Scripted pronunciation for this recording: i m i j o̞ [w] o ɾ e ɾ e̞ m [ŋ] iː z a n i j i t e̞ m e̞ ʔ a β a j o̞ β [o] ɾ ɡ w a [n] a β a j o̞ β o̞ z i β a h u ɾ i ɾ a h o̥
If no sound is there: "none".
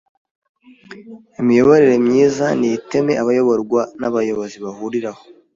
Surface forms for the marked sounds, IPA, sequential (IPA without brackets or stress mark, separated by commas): β, ɲ, o, n